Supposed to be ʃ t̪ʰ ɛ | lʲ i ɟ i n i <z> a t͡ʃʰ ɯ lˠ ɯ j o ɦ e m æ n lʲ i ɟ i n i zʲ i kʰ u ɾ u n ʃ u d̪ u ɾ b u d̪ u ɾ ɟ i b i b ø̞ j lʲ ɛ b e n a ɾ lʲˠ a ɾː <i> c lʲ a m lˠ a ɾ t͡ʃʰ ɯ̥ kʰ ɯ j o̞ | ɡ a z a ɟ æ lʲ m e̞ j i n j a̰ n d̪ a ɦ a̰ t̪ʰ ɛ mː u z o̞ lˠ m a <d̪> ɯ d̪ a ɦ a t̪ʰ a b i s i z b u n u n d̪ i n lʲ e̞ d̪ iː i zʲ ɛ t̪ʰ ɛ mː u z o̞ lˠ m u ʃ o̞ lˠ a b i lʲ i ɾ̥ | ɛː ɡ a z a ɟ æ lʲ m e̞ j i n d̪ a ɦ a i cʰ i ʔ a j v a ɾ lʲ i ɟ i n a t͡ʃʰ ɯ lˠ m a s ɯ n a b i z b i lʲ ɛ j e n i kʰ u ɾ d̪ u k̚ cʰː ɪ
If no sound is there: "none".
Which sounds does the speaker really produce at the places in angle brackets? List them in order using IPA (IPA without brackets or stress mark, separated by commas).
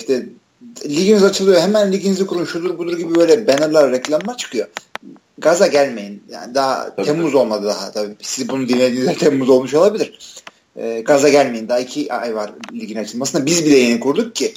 z, ɛ, d̪